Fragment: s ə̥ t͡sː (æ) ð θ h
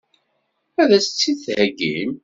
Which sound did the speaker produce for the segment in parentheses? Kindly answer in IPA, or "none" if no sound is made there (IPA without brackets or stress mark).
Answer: i